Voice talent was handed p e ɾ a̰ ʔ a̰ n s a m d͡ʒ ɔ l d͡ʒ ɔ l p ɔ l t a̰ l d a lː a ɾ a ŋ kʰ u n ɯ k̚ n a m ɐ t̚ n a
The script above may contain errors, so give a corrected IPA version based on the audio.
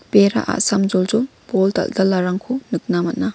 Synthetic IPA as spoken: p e ɾ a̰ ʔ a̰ s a m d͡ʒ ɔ l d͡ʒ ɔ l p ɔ l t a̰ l d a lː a ɾ a ŋ kʰ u n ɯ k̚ n a m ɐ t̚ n a